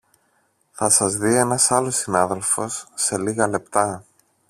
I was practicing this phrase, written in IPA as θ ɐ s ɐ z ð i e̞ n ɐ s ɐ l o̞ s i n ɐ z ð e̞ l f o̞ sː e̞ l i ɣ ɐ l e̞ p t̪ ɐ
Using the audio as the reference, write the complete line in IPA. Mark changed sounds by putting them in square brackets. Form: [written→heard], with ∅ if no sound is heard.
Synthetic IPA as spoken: θ ɐ s ɐ z ð i e̞ n ɐ s ɐ l o̞ s i n ɐ [z→∅] ð e̞ l f o̞ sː e̞ l i ɣ ɐ l e̞ p t̪ ɐ